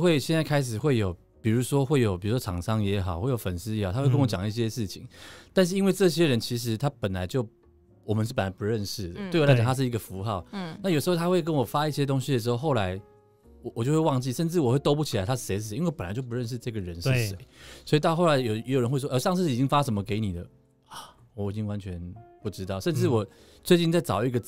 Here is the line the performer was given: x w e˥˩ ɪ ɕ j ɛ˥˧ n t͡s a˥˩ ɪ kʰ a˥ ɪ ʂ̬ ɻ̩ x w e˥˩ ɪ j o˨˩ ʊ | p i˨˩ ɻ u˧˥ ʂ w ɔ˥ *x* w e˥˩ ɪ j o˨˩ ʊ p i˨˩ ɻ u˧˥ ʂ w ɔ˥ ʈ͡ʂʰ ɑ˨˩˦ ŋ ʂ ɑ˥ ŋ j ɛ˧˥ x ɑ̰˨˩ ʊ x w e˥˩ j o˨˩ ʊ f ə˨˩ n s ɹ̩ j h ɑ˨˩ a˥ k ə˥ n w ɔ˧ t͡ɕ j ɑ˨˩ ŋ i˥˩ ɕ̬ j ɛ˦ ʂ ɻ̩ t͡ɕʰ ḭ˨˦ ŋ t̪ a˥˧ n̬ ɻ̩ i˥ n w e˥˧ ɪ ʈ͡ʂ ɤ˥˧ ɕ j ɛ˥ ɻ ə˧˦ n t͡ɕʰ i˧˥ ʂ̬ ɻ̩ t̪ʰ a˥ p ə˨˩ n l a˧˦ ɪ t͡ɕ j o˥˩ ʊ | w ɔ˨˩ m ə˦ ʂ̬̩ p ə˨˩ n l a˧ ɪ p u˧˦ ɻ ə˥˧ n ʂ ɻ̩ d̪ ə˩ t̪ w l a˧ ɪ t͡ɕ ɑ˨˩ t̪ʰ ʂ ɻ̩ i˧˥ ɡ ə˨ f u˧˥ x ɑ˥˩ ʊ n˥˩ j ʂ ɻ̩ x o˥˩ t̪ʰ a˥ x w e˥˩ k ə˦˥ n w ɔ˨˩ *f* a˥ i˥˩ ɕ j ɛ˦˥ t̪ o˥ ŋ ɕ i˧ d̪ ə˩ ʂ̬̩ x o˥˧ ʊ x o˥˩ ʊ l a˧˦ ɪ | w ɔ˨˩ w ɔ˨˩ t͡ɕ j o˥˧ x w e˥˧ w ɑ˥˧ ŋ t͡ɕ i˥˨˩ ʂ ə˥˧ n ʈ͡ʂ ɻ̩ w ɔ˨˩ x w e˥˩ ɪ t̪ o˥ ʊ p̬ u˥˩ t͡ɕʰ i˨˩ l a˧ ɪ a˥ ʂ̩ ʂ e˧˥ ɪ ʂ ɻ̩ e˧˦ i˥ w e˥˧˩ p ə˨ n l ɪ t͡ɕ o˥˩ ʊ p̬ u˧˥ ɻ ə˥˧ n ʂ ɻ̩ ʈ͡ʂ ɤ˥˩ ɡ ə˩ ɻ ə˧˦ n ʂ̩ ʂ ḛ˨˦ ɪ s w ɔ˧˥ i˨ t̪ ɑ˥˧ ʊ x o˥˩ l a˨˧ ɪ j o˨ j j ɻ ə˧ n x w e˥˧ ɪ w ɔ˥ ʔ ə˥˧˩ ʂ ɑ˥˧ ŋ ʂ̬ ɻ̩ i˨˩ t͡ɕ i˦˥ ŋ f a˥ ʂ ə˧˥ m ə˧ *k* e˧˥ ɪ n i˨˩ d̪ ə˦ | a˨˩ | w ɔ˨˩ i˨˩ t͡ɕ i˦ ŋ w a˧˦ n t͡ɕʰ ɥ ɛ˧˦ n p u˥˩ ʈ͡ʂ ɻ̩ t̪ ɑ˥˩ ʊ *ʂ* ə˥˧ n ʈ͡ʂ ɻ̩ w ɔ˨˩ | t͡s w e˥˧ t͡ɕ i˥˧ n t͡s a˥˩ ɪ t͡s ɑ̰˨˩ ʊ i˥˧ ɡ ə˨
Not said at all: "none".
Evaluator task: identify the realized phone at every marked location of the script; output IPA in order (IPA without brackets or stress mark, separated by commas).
x, f, k, ʂ